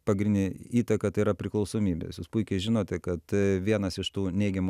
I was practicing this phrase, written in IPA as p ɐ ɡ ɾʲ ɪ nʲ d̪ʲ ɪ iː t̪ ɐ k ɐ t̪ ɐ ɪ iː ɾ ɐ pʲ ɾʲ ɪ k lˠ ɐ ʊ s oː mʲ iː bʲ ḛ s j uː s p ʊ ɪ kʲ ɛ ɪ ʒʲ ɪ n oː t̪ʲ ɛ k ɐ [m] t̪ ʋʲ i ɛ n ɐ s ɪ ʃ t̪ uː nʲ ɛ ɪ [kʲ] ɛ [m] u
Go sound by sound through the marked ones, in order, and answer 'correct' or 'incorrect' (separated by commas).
incorrect, incorrect, correct